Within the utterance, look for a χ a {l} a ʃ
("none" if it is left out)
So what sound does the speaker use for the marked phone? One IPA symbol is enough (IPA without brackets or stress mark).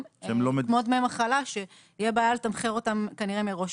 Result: l